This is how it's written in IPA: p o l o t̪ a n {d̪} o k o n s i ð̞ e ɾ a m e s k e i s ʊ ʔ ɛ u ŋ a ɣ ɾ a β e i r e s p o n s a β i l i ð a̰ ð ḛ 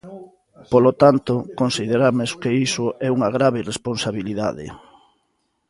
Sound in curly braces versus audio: incorrect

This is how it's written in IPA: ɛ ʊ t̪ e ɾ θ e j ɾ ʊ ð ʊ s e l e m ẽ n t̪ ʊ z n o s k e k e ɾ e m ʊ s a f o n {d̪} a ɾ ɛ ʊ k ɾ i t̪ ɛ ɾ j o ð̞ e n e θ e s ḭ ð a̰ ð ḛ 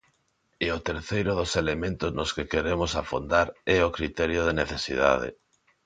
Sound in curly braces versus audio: correct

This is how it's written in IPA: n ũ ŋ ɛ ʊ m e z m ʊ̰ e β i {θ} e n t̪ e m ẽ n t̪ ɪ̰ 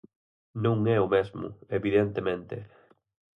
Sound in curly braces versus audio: incorrect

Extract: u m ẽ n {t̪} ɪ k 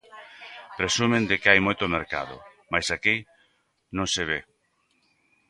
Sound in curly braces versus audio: incorrect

